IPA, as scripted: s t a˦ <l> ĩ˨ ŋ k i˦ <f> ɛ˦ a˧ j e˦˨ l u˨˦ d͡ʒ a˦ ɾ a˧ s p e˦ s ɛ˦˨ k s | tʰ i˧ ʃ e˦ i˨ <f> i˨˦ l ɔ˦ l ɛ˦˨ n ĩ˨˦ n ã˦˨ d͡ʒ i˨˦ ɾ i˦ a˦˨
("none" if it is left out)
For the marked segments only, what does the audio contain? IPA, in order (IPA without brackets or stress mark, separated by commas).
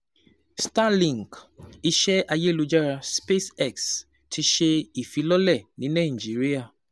l, ʃ, f